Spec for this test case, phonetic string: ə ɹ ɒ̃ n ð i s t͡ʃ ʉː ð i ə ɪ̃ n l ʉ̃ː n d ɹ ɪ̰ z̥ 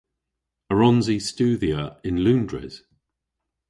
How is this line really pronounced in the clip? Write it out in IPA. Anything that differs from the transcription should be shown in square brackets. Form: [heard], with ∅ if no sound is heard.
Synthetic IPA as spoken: ə ɹ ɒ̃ n [z] i s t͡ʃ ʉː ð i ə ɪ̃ n l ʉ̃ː n d ɹ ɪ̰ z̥